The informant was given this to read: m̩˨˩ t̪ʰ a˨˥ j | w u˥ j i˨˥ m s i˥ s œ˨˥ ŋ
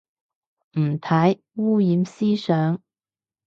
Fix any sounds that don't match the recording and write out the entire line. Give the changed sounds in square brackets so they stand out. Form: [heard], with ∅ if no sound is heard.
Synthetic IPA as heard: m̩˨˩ t̪ʰ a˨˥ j | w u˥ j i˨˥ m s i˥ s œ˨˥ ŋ

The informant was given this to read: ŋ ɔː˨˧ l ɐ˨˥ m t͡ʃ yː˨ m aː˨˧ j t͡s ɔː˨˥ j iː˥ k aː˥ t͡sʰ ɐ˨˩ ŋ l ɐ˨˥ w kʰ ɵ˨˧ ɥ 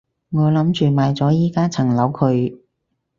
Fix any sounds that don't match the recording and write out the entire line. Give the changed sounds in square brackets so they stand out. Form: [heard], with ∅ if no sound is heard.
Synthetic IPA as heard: ŋ ɔː˨˧ l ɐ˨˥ m t͡ʃ yː˨ m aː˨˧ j t͡s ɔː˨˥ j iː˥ k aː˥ t͡sʰ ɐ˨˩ ŋ l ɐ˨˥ w kʰ ɵ˨˧ ɥ

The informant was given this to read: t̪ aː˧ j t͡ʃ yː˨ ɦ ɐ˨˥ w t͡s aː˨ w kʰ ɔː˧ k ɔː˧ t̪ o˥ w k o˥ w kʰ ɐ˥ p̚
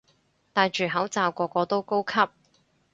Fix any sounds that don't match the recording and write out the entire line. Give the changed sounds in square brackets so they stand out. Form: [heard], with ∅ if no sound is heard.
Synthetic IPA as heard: t̪ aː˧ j t͡ʃ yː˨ ɦ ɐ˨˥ w t͡s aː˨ w [k] ɔː˧ k ɔː˧ t̪ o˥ w k o˥ w kʰ ɐ˥ p̚

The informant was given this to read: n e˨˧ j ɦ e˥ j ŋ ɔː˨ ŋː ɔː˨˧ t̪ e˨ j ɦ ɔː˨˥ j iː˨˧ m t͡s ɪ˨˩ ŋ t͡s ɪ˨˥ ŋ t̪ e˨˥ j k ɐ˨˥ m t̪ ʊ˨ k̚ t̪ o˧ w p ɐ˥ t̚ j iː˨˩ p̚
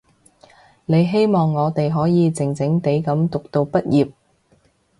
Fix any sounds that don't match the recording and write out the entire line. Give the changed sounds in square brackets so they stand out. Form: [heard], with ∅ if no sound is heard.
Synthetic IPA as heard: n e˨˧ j ɦ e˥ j [m] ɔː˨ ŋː ɔː˨˧ t̪ e˨ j ɦ ɔː˨˥ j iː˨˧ [∅] t͡s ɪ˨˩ ŋ t͡s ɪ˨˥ ŋ t̪ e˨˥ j k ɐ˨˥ m t̪ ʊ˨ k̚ t̪ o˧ w p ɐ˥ t̚ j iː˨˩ p̚

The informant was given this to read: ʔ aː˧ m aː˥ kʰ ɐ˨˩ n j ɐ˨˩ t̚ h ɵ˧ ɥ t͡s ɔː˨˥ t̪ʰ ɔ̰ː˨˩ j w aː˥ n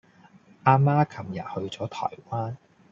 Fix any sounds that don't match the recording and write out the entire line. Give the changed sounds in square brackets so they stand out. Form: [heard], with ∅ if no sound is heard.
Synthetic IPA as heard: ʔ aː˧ m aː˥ kʰ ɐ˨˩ [m] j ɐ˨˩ t̚ h ɵ˧ ɥ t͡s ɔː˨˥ t̪ʰ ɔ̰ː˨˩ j w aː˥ n

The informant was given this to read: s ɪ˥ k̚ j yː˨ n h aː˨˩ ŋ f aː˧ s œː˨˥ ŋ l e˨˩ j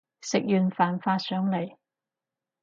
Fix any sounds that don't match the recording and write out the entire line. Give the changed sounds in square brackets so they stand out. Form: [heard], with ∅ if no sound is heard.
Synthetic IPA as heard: s [ɪ˨] k̚ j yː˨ n [f] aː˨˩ [n] f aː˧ s œː˨˥ ŋ l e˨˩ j

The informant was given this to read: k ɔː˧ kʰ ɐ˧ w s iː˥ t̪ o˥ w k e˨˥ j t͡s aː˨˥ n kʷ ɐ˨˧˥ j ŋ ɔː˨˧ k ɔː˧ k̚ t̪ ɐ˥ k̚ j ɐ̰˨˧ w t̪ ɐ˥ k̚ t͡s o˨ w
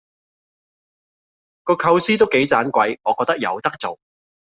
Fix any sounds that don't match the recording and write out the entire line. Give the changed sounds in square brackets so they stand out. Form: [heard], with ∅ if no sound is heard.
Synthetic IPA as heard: k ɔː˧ kʰ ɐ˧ w s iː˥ t̪ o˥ w k e˨˥ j t͡s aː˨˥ n kʷ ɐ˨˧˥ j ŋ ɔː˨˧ k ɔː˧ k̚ t̪ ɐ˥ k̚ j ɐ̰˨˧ w t̪ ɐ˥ k̚ t͡s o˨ w

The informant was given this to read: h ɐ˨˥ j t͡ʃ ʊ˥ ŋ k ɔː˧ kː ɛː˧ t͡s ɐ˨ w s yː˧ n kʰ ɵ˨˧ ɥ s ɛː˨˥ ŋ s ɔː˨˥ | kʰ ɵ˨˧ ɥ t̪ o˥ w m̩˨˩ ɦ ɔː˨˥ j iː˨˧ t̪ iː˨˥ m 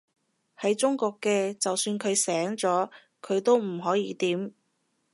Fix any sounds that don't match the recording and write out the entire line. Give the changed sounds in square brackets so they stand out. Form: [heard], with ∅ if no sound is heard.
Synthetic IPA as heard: h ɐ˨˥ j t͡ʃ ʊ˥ ŋ k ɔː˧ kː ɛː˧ t͡s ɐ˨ w s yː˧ n kʰ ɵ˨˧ ɥ s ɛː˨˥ ŋ [t͡s] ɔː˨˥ | kʰ ɵ˨˧ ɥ t̪ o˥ w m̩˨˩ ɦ ɔː˨˥ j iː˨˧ t̪ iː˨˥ m

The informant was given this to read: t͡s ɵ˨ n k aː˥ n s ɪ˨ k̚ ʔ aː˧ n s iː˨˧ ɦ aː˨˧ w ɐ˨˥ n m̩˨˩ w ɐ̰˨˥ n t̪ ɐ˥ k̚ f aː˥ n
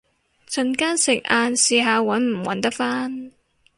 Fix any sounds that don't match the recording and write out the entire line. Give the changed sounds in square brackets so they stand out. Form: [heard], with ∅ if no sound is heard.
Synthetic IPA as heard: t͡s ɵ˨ n k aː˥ n s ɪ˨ k̚ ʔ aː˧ n s iː˨˧ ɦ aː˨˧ w ɐ˨˥ n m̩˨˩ w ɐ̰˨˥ n t̪ ɐ˥ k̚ f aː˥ n

